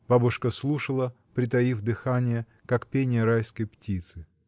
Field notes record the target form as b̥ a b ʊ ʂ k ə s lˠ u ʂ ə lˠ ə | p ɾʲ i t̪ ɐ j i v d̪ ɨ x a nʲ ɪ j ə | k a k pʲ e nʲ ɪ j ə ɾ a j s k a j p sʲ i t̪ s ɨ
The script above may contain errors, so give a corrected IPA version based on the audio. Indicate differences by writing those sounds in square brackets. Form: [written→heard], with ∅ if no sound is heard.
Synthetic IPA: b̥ a b ʊ ʂ k ə s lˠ u ʂ ə lˠ ə | p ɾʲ [i→ɪ] t̪ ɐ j i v d̪ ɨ x a nʲ ɪ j ə | k a k pʲ e nʲ ɪ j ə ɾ a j s k [a→ə] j p [sʲ→tʲ] i t̪ s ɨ